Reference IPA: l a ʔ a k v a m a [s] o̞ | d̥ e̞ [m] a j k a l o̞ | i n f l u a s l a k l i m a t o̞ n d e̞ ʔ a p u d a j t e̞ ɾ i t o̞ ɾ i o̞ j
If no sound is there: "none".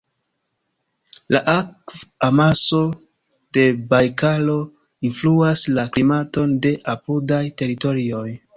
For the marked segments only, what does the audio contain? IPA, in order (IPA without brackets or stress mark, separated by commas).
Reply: s, b